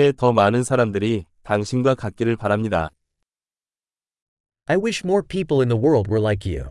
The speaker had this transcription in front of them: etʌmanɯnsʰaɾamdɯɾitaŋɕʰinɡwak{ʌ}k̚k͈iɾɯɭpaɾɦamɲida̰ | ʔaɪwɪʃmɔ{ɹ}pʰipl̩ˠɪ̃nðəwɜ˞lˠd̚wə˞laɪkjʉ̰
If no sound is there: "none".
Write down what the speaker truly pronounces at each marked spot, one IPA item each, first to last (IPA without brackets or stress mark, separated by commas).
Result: a, ɹ